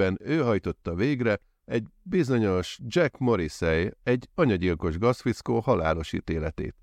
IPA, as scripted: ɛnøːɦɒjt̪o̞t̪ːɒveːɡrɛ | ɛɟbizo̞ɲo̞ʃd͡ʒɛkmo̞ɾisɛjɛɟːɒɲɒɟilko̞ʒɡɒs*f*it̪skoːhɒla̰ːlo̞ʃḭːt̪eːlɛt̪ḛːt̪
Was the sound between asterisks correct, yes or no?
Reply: yes